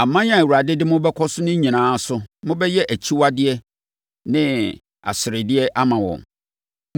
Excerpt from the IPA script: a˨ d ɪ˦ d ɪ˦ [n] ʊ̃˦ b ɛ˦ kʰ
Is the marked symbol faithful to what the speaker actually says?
no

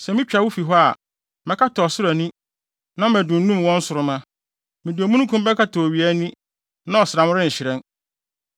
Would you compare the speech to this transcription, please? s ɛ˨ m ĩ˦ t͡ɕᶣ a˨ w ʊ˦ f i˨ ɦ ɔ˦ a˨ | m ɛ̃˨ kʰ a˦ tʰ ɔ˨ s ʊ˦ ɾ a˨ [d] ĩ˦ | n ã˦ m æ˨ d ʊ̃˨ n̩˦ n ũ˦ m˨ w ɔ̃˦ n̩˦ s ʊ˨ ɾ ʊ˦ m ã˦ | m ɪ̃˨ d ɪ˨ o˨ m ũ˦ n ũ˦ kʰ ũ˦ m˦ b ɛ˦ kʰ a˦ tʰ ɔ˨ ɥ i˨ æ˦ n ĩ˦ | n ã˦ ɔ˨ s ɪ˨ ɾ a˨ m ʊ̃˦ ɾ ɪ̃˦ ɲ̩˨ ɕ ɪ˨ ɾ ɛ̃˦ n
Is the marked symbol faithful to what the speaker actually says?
no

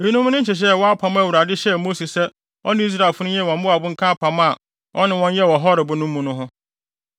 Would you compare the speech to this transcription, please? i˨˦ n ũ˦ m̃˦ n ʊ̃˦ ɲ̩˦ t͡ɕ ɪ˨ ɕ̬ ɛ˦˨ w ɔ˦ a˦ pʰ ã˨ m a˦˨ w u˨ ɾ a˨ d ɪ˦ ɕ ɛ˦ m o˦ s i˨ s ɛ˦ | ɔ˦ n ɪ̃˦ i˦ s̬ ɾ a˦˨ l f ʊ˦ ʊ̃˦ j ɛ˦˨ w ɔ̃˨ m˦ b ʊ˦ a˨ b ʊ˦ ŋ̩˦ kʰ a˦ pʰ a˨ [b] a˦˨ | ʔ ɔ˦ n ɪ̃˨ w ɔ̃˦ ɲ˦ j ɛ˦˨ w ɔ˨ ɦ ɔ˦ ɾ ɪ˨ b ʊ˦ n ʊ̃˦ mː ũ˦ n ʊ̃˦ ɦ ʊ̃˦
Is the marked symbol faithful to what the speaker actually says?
no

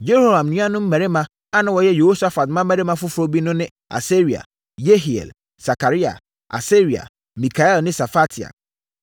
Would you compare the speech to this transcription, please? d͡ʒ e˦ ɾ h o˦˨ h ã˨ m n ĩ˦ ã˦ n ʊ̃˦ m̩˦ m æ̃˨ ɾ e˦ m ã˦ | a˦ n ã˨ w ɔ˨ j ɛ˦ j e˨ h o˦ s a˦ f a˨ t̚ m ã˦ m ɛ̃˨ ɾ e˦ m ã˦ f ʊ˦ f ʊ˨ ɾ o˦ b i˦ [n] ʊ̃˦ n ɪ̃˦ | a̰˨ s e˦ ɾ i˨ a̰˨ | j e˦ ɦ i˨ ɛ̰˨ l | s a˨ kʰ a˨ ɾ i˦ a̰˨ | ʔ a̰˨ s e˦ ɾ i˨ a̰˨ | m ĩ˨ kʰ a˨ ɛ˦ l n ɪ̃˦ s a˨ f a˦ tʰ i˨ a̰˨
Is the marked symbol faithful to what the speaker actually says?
yes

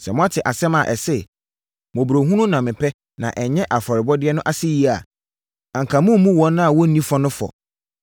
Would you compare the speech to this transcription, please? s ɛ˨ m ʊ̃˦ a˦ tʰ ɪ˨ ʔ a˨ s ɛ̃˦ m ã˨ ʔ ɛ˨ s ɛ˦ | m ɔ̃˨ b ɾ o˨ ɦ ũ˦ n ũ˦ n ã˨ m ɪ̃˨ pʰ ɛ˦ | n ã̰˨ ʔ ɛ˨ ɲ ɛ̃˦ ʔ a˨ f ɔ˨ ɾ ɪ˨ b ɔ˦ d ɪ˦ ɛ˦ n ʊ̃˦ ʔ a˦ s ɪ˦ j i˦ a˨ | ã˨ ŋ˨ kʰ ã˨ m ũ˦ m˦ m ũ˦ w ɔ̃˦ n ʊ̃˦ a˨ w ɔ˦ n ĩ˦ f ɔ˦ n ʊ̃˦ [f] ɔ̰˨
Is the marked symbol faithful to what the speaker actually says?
yes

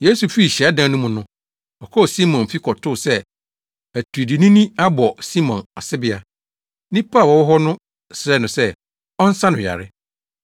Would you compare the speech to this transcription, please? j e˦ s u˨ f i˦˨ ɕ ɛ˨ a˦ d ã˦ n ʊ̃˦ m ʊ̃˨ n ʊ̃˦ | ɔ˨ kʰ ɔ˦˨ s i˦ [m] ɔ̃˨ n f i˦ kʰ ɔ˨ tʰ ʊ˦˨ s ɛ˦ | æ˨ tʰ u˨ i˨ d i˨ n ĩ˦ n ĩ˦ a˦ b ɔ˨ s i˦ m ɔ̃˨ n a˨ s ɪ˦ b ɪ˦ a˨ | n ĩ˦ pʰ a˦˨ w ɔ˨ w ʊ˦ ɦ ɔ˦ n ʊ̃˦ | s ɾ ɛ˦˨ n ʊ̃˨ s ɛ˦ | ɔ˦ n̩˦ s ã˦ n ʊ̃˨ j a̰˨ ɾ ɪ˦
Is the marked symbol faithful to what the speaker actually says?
yes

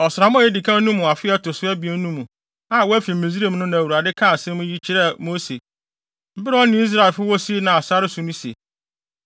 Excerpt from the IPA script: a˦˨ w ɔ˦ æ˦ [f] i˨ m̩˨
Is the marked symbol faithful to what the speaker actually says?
yes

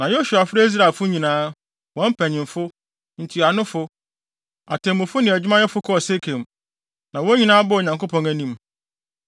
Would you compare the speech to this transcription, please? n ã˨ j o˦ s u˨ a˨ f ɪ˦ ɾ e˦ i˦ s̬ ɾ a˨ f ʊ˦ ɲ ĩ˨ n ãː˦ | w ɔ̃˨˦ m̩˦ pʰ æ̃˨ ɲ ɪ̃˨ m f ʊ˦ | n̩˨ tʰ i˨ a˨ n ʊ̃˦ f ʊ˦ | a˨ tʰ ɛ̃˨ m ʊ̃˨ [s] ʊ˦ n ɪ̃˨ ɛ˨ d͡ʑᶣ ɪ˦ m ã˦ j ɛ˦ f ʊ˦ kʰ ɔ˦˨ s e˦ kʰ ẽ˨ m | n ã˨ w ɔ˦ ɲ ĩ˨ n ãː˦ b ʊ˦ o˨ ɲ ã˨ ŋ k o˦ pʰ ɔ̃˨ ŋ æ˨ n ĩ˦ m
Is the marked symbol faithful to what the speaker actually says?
no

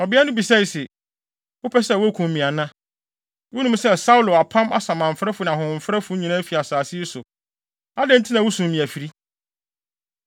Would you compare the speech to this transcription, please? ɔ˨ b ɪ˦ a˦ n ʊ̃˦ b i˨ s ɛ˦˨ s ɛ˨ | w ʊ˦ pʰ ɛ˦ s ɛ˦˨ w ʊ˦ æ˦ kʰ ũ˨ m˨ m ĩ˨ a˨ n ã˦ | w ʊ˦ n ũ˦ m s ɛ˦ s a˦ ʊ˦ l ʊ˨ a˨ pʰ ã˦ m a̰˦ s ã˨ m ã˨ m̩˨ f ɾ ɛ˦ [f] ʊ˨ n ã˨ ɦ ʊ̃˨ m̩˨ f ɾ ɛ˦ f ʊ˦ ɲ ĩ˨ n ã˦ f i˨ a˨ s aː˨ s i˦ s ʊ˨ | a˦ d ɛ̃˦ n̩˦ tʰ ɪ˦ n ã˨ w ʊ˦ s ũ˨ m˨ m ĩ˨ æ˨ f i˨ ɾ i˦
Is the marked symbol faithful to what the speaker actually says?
yes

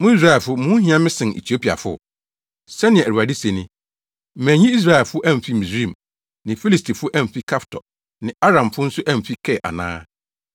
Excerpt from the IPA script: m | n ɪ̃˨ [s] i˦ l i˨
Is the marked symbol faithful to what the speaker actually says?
no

